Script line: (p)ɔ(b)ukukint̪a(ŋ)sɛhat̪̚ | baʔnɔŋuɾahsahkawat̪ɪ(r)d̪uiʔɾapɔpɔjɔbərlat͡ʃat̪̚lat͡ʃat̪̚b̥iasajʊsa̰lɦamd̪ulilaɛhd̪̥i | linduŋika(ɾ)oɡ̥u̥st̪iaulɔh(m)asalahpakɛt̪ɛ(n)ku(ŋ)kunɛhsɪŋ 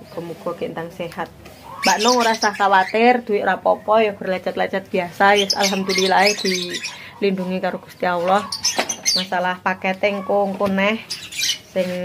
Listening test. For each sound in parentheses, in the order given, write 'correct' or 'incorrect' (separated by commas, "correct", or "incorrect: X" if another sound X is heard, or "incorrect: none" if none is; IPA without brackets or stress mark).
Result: incorrect: k, incorrect: m, correct, correct, correct, correct, incorrect: ŋ, correct